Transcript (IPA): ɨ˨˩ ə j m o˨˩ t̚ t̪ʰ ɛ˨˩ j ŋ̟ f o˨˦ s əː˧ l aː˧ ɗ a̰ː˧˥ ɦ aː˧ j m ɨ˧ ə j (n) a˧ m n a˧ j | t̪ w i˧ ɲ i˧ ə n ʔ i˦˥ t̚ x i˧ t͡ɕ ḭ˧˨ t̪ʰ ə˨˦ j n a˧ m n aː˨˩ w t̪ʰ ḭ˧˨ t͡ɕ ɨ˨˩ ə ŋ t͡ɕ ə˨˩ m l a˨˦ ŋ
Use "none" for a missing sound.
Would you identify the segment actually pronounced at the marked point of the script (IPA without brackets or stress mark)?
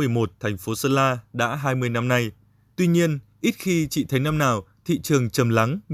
n